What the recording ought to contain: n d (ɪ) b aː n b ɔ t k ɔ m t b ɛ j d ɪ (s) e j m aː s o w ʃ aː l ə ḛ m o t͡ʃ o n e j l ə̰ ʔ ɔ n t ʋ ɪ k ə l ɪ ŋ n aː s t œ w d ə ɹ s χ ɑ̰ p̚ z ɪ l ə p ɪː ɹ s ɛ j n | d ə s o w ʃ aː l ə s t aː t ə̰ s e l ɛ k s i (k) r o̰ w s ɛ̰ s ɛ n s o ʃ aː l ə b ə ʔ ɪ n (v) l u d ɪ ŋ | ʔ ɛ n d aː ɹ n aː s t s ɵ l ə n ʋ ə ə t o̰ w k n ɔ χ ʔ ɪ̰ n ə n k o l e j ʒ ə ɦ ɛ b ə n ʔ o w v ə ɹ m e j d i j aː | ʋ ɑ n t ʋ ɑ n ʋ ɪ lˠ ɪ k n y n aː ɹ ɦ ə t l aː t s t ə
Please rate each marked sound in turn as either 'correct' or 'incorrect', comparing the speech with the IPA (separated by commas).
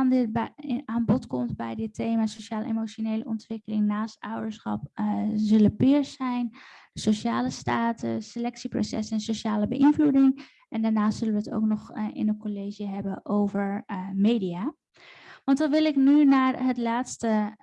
correct, incorrect, incorrect, correct